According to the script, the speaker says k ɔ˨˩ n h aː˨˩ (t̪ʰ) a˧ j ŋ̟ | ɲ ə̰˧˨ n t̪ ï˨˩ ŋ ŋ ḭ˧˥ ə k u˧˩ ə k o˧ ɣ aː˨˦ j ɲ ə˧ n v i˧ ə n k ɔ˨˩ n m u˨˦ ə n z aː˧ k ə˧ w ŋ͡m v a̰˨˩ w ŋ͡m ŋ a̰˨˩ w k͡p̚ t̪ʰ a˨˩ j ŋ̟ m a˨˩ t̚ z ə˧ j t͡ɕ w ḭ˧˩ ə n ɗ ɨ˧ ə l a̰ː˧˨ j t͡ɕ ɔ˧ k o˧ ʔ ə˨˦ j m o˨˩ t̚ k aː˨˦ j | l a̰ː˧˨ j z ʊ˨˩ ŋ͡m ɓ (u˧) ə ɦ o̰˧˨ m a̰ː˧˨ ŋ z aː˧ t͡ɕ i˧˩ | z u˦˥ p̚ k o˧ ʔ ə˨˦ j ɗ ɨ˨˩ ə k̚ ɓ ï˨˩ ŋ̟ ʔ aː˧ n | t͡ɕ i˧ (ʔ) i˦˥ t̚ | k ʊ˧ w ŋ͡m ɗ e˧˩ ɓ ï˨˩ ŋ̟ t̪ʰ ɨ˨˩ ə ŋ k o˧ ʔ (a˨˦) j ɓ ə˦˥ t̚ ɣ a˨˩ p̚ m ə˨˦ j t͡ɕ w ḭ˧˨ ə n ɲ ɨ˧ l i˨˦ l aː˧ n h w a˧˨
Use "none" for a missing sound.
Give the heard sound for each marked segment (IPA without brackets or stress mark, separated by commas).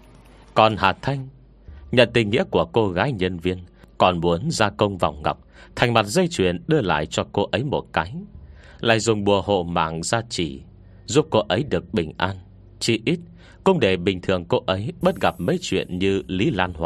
t̪ʰ, u˨˩, ʔ, ə˨˦